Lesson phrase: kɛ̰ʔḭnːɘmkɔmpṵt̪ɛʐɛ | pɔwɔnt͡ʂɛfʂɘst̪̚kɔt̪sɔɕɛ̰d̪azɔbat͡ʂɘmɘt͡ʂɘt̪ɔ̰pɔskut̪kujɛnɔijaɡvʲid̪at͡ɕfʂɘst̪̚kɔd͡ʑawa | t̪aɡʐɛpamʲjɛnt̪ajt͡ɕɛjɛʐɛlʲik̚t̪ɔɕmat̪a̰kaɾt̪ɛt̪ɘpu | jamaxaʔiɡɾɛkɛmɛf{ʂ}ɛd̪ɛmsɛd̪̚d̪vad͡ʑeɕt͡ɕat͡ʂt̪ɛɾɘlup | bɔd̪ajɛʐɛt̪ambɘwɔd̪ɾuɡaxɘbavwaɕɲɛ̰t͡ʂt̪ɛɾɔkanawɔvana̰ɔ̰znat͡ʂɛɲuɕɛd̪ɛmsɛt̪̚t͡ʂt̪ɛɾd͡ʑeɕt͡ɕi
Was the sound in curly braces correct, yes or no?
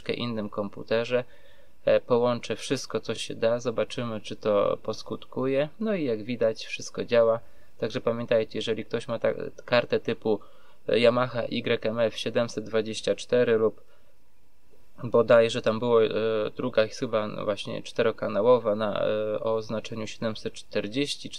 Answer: no